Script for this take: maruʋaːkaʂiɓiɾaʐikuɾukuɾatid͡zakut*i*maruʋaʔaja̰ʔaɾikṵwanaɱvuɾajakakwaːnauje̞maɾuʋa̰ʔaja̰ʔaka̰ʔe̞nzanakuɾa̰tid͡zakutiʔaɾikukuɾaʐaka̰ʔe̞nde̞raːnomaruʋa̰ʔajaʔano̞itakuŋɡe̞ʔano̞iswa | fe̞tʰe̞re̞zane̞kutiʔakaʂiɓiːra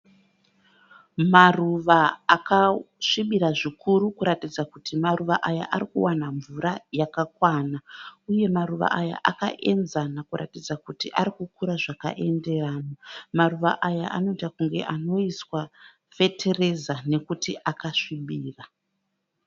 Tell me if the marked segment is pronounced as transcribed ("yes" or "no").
yes